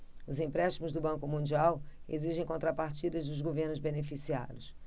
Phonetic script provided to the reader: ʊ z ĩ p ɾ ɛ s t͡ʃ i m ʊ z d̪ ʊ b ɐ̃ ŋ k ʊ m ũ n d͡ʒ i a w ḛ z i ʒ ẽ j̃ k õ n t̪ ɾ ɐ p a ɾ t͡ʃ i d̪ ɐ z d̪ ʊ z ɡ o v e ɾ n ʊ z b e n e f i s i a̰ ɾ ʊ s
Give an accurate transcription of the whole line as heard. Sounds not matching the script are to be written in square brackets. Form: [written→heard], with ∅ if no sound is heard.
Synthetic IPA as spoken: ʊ z ĩ p ɾ ɛ [s→ʃ] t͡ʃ i m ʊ z d̪ ʊ b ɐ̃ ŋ k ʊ m ũ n d͡ʒ i a w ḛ z i ʒ ẽ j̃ k õ n t̪ ɾ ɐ p a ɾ t͡ʃ i d̪ ɐ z d̪ ʊ z ɡ o v e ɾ n ʊ z b e n e f i s i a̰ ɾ ʊ s